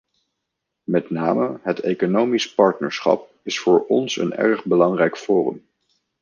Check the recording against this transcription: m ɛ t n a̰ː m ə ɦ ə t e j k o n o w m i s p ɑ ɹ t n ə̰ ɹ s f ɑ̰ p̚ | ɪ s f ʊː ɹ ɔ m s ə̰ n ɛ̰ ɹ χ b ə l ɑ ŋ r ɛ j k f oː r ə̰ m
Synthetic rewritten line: m ɛ t n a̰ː m ə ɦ ə t e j k o n o w m i s p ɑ ɹ t n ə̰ ɹ s χ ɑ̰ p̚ | ɪ s f ʊː ɹ ɔ n s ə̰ n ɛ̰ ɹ χ b ə l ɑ ŋ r ɛ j k f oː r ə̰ m